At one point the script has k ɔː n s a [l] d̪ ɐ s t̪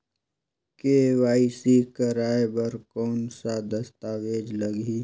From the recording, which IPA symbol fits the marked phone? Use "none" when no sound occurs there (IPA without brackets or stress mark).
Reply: none